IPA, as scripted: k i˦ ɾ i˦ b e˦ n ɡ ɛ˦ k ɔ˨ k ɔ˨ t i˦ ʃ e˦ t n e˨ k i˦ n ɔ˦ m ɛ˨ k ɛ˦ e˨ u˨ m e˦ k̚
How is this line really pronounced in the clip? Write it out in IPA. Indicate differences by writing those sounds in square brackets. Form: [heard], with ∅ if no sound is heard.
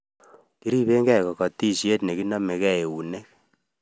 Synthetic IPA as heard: k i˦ ɾ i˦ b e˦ [ŋ] ɡ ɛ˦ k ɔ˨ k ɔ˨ t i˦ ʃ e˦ t n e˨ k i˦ n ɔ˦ m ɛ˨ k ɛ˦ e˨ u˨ [n] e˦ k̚